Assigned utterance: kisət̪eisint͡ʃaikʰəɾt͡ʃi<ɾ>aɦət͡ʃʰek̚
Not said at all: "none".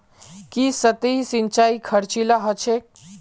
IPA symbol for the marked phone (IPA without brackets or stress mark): l